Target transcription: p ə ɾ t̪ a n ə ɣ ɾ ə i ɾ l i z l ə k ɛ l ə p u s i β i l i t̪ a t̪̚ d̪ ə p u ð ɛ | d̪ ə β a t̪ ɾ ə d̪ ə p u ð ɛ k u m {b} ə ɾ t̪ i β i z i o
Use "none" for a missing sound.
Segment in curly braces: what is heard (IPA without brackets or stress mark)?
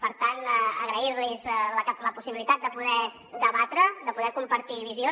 p